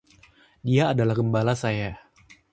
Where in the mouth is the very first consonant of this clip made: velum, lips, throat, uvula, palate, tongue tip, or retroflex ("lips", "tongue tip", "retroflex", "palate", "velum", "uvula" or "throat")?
tongue tip